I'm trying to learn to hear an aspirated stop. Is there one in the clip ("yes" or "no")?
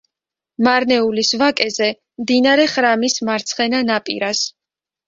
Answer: no